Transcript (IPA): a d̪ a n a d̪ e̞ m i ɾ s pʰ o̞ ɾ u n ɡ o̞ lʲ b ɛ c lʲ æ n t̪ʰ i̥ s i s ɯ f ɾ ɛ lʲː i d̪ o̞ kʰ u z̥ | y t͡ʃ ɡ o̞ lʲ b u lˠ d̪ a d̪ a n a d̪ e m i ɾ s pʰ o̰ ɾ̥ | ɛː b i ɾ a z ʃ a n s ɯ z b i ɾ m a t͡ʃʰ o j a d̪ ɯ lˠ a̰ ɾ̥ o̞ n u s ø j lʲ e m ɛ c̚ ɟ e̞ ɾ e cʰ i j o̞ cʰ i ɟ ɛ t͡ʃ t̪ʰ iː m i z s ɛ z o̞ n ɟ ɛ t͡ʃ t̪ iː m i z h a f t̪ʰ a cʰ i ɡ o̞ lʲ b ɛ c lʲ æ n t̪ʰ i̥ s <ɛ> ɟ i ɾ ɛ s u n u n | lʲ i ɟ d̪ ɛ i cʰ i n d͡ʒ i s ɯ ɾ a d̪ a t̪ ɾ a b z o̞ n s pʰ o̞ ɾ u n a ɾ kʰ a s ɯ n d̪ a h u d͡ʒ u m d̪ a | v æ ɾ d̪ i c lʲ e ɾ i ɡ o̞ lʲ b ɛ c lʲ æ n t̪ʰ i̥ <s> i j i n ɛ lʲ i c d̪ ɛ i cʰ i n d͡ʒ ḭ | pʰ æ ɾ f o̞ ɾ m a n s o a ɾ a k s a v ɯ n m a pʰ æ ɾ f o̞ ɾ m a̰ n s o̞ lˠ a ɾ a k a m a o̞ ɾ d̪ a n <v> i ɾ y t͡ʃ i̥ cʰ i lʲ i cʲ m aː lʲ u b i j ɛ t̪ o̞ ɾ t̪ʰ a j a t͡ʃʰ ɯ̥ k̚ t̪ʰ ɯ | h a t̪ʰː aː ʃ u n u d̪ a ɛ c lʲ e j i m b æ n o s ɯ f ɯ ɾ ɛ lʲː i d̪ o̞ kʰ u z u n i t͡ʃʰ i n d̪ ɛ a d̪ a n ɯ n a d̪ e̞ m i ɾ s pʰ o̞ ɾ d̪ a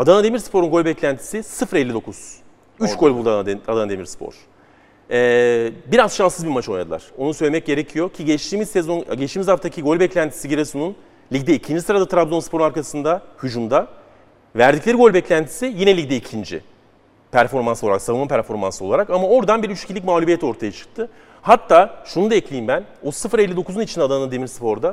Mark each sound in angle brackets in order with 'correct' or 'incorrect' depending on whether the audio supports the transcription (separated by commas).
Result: incorrect, correct, incorrect